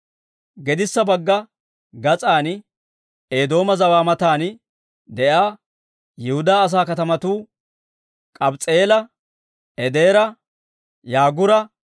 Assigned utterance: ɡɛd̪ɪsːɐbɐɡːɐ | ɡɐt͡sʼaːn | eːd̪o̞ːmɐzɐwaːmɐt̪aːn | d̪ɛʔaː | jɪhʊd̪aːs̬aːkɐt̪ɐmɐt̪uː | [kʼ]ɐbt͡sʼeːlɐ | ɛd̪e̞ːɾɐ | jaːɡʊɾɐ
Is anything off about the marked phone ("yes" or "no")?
no